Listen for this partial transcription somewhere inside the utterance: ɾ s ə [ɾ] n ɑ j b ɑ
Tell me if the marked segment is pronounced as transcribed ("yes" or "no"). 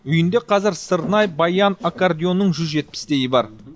yes